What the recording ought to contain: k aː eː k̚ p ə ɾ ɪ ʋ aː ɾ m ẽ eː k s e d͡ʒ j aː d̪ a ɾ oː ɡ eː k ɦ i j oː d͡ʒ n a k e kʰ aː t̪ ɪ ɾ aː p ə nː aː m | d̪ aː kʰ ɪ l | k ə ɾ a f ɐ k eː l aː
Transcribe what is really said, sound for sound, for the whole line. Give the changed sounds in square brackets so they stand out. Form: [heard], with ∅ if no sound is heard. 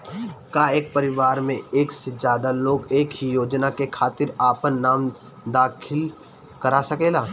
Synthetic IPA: k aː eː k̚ p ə ɾ ɪ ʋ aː ɾ m ẽ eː k s e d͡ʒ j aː d̪ a [l] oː ɡ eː k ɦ i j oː d͡ʒ n a k e kʰ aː t̪ ɪ ɾ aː p ə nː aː m | d̪ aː kʰ ɪ l | k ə ɾ a [s] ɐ k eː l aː